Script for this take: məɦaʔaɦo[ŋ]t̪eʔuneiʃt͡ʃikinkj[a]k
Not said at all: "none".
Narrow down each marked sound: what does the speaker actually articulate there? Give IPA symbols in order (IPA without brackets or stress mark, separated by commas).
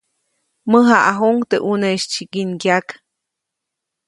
ŋ, a